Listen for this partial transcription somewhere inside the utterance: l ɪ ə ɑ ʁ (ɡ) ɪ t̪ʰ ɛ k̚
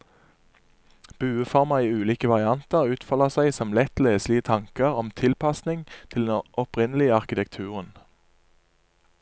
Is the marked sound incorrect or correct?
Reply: incorrect